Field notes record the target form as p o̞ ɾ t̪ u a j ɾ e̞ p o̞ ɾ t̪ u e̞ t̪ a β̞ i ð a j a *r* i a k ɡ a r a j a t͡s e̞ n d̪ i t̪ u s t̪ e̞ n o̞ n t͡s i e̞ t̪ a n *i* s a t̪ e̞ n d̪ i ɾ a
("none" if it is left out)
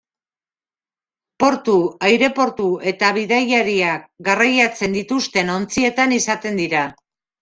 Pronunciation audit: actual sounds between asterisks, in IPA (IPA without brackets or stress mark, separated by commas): ɾ, i